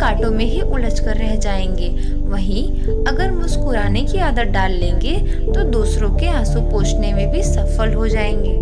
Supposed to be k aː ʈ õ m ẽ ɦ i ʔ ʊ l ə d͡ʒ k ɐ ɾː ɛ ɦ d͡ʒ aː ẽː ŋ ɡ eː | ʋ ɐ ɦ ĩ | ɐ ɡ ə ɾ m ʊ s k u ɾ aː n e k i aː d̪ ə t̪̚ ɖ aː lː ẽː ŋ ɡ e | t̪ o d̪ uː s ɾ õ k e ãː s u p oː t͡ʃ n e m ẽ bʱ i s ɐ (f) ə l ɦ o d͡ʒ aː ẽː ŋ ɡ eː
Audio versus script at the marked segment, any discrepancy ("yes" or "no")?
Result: no